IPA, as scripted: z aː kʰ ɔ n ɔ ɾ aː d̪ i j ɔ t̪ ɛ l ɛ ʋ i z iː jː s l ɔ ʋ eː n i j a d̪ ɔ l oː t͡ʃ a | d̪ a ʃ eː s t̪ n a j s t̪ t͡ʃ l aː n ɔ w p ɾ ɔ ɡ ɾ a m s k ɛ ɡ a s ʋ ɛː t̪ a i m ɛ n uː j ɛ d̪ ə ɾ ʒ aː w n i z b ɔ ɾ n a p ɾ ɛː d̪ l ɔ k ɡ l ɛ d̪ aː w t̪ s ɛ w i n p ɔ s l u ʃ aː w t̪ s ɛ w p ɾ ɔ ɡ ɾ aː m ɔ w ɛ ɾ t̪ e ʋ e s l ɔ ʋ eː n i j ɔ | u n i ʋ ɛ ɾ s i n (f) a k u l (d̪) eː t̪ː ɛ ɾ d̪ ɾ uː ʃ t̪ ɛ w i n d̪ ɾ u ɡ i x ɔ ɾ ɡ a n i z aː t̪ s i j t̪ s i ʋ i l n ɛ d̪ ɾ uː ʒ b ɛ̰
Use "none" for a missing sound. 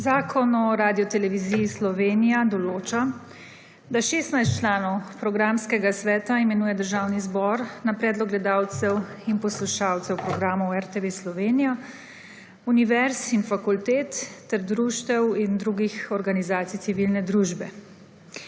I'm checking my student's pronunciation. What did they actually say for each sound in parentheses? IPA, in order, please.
f, t̪

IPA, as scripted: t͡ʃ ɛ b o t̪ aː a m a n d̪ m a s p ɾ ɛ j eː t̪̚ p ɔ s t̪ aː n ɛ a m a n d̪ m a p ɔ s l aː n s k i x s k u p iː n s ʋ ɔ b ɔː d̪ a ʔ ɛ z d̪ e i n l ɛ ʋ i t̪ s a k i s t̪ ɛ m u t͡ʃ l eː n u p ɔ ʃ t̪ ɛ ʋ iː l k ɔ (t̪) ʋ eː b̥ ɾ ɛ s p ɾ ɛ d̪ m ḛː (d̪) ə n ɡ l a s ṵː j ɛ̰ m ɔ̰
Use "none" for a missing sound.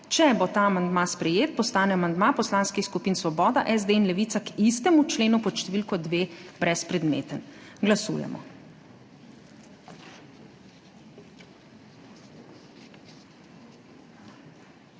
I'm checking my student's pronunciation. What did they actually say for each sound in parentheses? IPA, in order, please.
d̪, t̪

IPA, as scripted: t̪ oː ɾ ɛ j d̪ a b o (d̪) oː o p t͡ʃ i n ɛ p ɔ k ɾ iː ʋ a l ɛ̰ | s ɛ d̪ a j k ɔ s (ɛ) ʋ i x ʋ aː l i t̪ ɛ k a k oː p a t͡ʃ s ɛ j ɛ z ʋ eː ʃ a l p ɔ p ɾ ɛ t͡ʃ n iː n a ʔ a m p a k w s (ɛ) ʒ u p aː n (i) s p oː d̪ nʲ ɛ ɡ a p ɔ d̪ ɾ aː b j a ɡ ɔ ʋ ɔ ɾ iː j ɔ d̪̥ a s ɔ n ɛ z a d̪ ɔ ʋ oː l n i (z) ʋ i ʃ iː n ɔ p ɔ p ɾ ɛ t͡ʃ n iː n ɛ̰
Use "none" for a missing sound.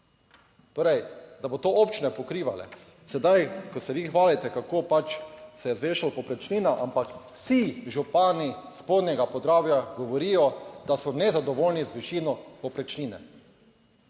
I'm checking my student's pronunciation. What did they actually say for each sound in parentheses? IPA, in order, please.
t̪, ɛ, i, i, z

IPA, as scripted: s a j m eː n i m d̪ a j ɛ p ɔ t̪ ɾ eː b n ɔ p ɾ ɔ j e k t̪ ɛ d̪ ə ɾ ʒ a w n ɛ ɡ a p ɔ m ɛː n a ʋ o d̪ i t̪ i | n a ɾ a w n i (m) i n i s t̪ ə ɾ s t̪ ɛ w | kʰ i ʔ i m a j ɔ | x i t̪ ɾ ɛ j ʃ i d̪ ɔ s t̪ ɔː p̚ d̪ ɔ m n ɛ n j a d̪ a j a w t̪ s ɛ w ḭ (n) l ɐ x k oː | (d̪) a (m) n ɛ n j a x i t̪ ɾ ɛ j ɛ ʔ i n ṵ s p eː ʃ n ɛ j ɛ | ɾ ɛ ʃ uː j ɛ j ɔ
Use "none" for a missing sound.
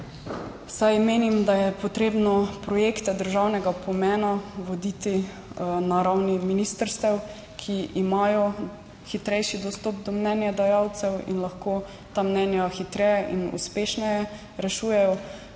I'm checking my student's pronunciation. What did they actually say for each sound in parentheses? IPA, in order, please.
m, n, t̪, m

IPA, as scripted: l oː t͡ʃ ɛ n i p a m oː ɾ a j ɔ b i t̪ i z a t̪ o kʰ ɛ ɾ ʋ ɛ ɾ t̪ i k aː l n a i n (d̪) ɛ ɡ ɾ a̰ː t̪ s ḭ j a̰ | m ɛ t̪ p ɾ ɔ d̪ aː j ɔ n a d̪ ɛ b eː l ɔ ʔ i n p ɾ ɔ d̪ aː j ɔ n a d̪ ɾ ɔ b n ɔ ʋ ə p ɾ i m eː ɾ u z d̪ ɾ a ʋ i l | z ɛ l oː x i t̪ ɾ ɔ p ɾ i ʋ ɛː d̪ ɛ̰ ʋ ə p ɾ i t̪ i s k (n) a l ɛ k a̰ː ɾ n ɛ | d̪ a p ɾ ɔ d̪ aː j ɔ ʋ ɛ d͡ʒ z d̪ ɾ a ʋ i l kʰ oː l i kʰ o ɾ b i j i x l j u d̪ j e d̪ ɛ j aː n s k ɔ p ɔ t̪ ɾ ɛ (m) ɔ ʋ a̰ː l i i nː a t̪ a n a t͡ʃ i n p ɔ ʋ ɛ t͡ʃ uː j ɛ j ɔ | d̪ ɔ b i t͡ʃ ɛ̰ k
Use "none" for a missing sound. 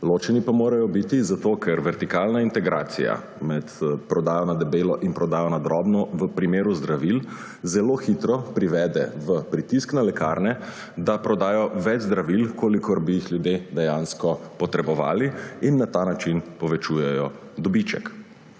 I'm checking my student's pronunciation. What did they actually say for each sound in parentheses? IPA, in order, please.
t̪, n, b

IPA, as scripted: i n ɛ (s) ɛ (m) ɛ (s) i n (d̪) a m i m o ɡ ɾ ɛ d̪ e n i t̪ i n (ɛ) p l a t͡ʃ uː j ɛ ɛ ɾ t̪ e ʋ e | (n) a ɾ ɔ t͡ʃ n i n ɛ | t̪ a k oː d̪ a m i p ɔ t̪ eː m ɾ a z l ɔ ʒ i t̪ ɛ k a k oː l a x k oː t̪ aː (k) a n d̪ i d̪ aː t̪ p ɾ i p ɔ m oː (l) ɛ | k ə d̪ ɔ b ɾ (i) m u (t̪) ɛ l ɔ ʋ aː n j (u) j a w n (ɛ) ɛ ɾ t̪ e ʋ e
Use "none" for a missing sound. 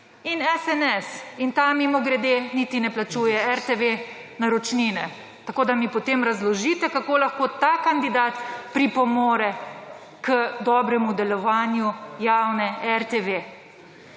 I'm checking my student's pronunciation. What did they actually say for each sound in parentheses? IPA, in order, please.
s, n, s, t̪, ɛ, n, k, ɾ, ɛ, d̪, u, ɛ

